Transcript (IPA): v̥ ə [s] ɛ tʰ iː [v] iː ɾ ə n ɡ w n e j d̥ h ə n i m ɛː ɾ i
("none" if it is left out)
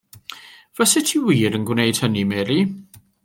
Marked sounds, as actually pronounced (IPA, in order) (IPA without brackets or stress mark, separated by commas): s, w